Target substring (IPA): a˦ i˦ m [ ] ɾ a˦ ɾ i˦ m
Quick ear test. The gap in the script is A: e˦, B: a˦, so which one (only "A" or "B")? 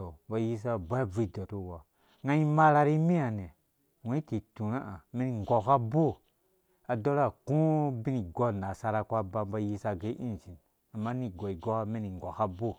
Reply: B